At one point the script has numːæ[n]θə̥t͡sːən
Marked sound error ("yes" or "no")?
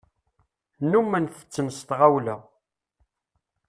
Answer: no